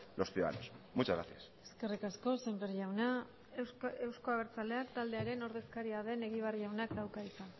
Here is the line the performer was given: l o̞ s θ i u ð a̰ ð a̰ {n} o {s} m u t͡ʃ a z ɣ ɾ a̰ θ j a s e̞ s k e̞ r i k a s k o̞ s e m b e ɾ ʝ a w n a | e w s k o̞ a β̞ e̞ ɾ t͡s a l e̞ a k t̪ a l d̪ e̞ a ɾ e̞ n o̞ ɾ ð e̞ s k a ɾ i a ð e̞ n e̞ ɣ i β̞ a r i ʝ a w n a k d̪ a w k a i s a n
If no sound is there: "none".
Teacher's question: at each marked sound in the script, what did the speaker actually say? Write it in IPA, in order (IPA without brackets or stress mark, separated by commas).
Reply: n, s